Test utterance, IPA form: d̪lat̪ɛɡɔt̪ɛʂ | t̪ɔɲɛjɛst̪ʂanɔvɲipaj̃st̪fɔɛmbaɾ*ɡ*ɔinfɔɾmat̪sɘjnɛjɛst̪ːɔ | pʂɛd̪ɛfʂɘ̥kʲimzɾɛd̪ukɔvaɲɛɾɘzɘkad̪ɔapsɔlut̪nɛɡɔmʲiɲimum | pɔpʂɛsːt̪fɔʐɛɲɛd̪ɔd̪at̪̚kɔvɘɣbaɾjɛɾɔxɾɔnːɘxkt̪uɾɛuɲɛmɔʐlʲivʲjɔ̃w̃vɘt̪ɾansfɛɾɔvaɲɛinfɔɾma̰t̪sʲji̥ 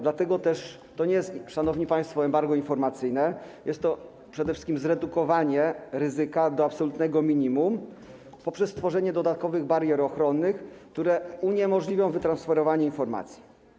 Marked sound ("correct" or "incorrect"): correct